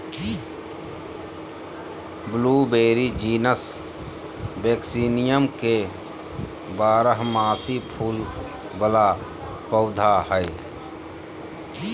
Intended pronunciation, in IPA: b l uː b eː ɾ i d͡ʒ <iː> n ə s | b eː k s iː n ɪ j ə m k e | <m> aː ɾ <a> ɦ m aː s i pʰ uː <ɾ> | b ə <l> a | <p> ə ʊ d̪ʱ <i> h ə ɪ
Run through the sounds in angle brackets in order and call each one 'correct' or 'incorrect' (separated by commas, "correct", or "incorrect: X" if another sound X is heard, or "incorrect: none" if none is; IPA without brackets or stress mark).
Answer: correct, incorrect: b, incorrect: ə, incorrect: l, correct, correct, incorrect: a